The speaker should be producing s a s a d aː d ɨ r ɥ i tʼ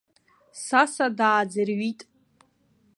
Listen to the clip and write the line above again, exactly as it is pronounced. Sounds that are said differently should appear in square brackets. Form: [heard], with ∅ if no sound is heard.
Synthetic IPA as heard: s a s a d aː [d͡z] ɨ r ɥ i tʼ